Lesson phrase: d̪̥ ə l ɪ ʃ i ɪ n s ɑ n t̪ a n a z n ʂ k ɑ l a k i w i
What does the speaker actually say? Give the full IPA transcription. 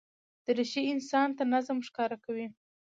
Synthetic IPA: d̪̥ ə ɾ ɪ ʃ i ɪ n s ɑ n t̪ a n a z m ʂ k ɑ ɾ a k a w i